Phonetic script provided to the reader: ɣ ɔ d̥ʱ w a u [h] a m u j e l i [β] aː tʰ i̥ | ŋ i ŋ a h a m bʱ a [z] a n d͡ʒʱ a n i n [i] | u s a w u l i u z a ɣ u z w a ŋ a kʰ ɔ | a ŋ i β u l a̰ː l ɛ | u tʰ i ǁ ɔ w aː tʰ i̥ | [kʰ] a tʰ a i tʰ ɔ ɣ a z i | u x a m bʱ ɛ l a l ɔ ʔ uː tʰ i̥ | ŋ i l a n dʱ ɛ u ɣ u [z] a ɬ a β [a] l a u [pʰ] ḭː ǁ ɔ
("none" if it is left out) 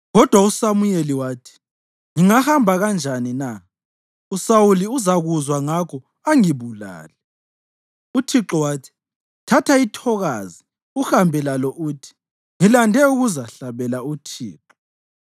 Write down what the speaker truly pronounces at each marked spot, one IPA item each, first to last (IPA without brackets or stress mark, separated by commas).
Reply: s, w, ɣ, a, tʰ, z, ɛ, tʰ